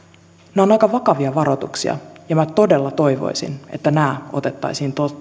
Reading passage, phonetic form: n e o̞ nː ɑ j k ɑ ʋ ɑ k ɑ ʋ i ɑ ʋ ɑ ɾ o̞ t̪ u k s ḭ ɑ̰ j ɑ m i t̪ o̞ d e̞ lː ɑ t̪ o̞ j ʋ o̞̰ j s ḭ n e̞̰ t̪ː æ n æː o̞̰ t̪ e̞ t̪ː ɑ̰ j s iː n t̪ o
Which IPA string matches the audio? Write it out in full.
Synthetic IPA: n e o̞ n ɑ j k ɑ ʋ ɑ k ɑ ʋ i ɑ ʋ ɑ ɾ o̞ t̪ u k s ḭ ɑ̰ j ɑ m æ t̪ o̞ d e̞ lː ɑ t̪ o̞ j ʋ o̞̰ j s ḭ n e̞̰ t̪ː æ n æː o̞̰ t̪ e̞ t̪ː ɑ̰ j s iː n t̪ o